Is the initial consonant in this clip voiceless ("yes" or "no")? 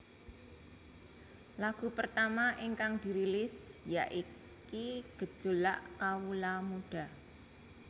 no